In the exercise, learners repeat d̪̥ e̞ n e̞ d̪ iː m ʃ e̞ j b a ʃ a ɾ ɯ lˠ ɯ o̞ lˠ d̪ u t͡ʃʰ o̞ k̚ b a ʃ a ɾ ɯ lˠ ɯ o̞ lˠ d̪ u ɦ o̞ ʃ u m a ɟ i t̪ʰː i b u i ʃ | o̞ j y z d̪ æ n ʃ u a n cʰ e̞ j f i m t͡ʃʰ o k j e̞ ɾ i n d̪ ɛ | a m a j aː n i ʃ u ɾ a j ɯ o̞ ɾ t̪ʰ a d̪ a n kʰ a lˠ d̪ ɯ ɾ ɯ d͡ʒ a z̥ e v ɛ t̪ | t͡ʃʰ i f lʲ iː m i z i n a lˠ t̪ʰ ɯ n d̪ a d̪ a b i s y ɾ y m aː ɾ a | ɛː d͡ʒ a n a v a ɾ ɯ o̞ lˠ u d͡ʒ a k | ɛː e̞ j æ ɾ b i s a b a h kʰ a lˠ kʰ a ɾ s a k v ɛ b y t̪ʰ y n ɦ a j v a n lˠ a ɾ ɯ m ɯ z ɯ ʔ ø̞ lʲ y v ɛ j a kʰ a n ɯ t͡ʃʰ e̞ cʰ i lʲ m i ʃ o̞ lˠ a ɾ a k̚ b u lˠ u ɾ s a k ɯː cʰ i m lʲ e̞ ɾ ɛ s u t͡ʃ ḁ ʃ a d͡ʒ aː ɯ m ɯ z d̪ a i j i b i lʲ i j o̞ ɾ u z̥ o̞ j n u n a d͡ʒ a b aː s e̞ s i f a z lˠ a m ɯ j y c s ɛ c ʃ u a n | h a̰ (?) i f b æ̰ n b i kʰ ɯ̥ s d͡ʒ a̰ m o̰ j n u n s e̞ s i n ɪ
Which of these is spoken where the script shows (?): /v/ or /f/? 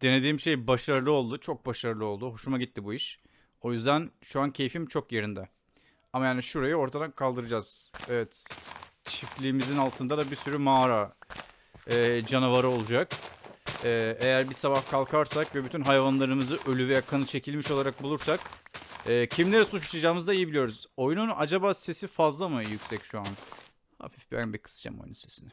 f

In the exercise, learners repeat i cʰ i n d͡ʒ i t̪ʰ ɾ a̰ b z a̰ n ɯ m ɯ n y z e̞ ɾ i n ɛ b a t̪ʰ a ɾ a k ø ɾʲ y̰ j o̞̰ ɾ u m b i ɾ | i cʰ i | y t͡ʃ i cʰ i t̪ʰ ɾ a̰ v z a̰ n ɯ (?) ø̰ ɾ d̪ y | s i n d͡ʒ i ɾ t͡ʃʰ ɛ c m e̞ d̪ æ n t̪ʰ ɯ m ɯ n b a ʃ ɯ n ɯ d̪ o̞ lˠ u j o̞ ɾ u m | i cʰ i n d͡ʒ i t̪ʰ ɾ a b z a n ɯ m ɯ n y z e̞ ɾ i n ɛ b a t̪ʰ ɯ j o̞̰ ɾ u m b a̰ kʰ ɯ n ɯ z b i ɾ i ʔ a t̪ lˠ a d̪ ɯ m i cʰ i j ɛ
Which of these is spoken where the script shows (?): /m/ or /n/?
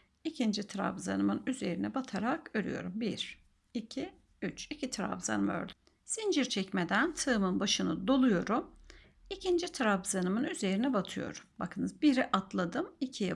m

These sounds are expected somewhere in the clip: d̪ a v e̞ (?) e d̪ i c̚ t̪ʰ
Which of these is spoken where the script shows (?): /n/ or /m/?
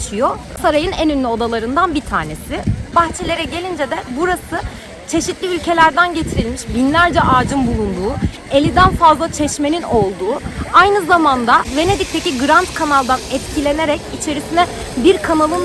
n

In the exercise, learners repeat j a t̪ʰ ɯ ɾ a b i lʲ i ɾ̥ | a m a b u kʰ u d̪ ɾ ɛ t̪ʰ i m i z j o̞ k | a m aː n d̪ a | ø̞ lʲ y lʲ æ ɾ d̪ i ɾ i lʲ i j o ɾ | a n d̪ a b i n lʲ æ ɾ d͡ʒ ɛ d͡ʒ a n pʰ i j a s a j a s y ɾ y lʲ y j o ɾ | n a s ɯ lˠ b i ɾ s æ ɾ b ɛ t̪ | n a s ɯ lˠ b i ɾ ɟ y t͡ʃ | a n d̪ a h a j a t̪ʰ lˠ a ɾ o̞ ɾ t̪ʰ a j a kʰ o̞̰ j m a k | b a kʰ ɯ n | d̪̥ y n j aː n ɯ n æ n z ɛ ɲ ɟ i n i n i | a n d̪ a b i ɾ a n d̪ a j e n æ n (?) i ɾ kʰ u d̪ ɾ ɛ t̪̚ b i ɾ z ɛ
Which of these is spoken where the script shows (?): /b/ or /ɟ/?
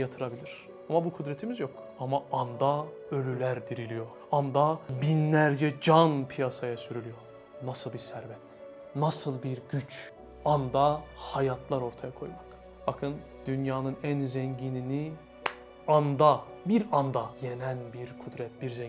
b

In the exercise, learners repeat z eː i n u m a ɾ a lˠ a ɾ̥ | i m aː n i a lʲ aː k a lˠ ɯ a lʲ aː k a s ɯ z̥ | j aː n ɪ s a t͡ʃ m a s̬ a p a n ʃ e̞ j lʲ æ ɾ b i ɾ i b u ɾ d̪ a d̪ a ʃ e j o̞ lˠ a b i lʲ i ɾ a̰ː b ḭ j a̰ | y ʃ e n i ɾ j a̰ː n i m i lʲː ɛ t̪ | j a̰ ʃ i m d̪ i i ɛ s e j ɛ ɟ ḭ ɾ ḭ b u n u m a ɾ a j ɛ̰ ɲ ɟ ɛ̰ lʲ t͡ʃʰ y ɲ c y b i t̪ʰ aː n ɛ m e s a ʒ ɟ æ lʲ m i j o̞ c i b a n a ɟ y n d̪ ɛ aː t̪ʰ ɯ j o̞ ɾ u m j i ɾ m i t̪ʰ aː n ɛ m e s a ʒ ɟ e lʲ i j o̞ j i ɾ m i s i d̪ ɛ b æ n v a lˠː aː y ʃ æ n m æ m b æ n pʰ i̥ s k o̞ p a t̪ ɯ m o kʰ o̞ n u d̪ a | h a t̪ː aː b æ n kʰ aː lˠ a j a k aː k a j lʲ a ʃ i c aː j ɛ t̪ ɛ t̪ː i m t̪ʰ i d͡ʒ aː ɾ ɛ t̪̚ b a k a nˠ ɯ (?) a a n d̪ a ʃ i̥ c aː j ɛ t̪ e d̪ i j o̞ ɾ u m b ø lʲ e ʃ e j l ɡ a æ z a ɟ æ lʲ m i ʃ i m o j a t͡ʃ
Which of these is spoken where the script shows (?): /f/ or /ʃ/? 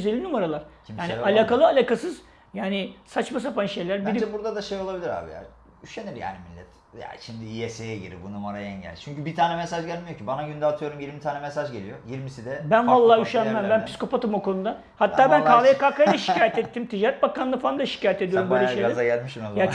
f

